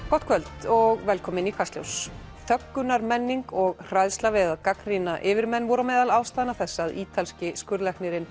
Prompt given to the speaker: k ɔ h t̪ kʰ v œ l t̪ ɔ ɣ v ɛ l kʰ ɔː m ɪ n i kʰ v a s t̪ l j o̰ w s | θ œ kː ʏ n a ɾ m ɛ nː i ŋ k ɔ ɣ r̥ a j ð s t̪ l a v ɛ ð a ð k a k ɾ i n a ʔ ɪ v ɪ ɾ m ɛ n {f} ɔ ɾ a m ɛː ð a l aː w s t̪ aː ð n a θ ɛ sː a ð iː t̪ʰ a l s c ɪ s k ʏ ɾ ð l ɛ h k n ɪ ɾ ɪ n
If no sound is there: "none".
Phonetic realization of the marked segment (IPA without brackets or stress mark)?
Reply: v